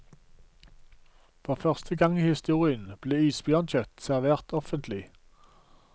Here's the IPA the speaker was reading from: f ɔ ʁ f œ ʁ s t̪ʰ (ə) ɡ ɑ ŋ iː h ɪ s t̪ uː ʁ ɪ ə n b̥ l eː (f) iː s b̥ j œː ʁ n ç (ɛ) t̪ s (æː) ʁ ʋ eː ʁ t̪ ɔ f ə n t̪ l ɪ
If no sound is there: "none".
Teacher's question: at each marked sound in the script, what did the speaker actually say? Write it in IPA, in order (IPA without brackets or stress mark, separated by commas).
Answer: ə, none, œ, æ